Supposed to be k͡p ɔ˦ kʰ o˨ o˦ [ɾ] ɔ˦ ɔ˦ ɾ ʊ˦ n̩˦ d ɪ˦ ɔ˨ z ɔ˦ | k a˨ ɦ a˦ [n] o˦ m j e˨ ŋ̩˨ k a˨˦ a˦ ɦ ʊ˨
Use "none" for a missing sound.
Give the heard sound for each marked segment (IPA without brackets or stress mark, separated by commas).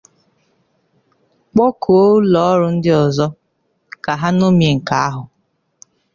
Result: l, n